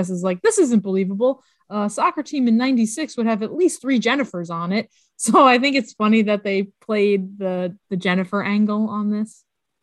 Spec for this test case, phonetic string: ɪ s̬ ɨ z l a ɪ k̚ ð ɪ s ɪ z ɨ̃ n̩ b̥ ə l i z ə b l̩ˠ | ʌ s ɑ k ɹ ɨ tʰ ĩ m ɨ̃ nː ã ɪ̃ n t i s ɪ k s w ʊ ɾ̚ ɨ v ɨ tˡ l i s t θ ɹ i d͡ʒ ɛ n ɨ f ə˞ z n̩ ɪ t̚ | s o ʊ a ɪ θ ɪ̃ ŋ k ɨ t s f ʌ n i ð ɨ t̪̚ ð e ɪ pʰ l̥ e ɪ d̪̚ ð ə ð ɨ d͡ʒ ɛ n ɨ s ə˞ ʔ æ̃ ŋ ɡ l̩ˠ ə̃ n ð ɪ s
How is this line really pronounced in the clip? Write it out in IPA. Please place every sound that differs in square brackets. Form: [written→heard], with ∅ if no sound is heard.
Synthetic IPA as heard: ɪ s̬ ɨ z l a ɪ k̚ ð ɪ s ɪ z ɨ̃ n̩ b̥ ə l i [z→v] ə b l̩ˠ | ʌ s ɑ k ɹ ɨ tʰ ĩ m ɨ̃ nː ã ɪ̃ n t i s ɪ k s w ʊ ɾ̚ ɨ v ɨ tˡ l i s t θ ɹ i d͡ʒ ɛ n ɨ f ə˞ z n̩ ɪ t̚ | s o ʊ a ɪ θ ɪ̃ ŋ k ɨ t s f ʌ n i ð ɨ t̪̚ ð e ɪ pʰ l̥ e ɪ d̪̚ ð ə ð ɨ d͡ʒ ɛ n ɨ [s→f] ə˞ ʔ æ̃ ŋ ɡ l̩ˠ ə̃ n ð ɪ s